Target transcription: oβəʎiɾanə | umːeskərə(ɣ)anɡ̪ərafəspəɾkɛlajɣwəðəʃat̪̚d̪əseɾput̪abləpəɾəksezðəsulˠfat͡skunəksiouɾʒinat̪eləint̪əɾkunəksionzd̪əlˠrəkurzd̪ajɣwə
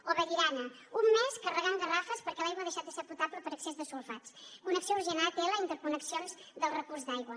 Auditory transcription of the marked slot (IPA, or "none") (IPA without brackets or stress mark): ɣ